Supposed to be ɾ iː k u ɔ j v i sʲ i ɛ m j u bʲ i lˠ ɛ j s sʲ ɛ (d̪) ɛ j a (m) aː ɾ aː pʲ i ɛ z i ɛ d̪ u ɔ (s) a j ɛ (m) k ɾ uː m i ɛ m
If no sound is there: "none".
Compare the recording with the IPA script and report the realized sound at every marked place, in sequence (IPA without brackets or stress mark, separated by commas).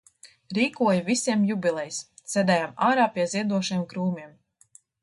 d̪, m, ʃ, m